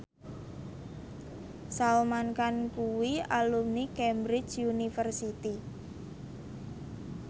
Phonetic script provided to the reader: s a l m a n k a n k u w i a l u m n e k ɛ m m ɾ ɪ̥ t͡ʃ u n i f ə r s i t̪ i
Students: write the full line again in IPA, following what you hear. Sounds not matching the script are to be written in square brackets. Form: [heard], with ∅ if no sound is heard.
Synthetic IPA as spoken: s a l m a n k a n k u w i a l u m n [i] k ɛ m [b] ɾ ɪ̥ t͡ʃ u n i f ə r s i t̪ i